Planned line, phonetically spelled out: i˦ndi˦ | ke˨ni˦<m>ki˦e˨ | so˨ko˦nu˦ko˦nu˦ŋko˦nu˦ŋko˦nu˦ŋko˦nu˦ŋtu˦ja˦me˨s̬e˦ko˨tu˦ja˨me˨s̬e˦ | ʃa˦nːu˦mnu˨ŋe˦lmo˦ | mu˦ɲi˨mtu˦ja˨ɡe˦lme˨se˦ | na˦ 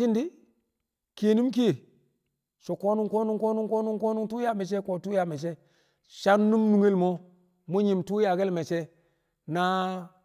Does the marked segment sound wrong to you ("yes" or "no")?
no